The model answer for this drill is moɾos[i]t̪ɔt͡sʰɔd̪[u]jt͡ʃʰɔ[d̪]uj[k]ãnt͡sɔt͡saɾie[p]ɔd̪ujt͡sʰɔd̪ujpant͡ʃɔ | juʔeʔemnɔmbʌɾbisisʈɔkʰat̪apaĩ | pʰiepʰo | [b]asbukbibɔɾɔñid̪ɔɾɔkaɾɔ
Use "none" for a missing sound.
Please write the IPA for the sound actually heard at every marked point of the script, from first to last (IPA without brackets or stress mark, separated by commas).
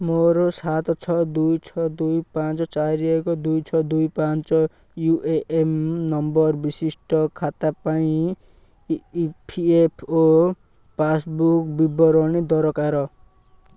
a, u, d̪, p, k, p